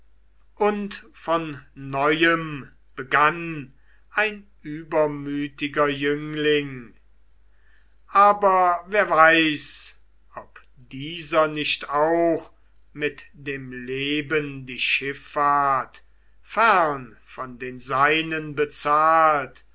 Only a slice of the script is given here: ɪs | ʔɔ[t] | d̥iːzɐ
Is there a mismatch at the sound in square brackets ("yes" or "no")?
yes